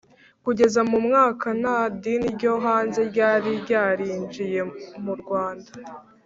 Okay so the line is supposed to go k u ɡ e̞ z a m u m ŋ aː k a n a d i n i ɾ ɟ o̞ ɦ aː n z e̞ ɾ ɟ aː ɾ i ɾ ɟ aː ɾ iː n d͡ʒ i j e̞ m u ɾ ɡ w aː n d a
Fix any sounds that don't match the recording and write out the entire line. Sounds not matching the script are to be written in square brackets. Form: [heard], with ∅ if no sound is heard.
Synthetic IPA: k u [ɟ] e̞ z a m u m ŋ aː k a n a d i n i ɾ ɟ o̞ ɦ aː n z e̞ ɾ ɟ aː ɾ i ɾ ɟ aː ɾ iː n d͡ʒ i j e̞ m u ɾ ɡ w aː n d a